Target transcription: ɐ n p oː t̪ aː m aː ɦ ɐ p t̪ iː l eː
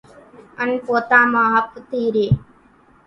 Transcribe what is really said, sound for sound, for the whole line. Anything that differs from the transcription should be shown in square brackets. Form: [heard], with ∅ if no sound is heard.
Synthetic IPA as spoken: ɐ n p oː t̪ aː m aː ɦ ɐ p t̪ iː [ɾ] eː